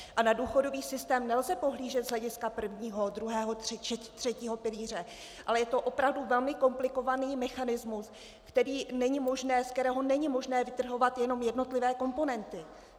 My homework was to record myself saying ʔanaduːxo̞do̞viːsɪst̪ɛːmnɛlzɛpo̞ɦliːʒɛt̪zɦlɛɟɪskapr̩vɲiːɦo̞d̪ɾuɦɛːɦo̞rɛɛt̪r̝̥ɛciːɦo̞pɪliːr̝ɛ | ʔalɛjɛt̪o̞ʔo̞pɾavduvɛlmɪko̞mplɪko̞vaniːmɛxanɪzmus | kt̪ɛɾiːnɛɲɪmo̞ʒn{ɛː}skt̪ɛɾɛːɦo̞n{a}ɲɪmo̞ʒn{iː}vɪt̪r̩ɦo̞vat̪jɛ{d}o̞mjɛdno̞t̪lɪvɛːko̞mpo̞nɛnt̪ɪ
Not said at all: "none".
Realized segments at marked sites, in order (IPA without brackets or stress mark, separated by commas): ɛː, ɛ, ɛː, n